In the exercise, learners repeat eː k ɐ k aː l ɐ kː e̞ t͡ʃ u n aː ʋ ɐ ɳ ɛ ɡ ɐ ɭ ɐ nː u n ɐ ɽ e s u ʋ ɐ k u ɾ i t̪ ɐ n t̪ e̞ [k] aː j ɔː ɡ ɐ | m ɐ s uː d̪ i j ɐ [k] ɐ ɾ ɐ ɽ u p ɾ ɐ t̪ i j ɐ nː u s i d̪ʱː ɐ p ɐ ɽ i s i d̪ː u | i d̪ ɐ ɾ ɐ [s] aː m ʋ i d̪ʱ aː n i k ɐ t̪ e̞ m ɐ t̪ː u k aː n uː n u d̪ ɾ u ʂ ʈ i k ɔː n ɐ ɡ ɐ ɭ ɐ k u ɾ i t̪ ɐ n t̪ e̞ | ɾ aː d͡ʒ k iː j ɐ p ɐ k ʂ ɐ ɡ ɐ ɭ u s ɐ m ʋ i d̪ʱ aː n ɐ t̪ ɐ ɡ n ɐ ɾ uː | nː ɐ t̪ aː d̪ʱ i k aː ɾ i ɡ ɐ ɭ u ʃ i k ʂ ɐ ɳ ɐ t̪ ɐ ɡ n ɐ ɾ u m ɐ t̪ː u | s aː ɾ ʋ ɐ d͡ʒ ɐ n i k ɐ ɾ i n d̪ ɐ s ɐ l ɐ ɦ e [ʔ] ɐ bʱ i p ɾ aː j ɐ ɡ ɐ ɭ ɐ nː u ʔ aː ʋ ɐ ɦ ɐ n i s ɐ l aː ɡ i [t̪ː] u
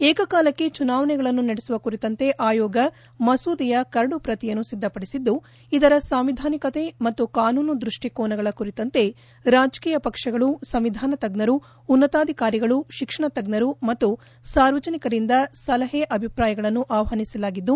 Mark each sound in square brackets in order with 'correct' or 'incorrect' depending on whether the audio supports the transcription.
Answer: incorrect: ʔ, correct, correct, correct, incorrect: d̪ː

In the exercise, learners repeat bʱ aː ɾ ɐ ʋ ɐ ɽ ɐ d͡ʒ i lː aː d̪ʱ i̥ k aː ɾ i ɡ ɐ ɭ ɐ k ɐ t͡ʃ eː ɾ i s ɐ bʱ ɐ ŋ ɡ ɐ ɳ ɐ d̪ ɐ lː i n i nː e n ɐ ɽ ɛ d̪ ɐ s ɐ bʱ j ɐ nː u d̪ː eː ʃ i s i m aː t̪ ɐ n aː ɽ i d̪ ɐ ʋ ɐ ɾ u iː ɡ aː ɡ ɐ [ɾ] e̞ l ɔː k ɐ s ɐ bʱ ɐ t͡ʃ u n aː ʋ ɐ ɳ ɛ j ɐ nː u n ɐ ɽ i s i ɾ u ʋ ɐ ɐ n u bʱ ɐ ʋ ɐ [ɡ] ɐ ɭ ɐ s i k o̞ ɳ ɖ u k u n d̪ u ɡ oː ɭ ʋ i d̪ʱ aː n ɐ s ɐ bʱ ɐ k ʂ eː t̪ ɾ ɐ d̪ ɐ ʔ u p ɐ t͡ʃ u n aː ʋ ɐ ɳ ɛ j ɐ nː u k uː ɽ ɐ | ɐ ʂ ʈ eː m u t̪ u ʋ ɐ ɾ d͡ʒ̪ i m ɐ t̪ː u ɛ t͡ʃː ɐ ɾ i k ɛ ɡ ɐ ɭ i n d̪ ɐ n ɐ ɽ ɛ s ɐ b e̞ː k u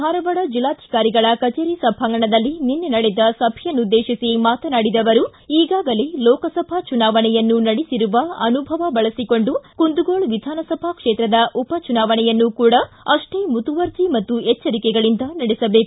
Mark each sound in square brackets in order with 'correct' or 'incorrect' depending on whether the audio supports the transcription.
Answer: incorrect: l, incorrect: b

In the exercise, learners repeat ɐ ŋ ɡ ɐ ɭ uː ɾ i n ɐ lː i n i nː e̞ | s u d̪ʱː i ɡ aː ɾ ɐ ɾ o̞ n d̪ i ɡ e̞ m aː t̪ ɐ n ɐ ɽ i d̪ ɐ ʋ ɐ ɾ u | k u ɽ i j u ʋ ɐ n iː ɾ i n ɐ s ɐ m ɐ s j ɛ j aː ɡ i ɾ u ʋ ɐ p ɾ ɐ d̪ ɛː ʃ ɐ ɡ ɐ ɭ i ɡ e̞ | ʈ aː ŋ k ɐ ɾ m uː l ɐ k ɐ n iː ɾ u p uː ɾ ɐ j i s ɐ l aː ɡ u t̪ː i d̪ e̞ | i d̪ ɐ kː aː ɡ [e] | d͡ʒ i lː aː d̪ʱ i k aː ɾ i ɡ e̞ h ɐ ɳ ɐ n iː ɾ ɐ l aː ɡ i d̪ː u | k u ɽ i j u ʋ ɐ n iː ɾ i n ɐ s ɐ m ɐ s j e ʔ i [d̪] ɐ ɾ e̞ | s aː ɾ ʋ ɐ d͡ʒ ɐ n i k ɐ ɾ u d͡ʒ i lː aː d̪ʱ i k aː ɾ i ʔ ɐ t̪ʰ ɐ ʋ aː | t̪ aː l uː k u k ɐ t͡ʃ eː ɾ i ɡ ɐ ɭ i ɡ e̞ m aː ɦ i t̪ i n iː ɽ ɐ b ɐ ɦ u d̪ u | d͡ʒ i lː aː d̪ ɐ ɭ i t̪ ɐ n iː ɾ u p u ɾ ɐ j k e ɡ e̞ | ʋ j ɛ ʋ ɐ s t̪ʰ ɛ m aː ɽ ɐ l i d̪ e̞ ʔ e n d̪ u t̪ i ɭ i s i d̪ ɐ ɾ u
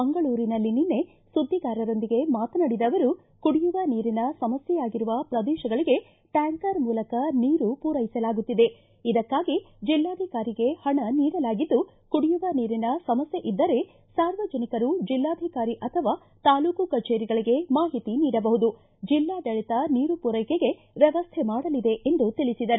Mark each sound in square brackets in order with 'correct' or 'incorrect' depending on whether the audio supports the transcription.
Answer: incorrect: i, incorrect: d̪ː

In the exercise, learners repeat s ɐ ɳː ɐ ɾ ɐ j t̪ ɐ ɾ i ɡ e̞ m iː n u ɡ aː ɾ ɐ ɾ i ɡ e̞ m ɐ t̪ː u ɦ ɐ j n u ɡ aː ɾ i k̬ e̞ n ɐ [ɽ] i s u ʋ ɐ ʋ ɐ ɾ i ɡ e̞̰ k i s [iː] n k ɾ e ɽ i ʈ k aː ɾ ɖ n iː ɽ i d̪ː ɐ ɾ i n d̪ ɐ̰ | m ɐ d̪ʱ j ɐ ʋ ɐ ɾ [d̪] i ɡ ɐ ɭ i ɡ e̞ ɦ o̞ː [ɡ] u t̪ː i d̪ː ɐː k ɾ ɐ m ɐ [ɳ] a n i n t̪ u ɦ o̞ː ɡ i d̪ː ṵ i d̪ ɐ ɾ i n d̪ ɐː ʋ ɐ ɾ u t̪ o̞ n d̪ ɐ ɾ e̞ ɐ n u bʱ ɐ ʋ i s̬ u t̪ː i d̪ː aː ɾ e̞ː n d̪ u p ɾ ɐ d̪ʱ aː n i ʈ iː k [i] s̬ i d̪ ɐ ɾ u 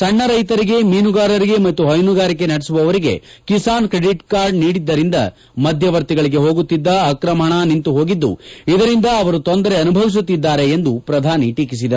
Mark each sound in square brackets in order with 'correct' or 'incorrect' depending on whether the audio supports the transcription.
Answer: correct, incorrect: aː, incorrect: t̪, correct, correct, correct

